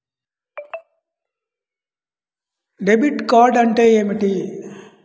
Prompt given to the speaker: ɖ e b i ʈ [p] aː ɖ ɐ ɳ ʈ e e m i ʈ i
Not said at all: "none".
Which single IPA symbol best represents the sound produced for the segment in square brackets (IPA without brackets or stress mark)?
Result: k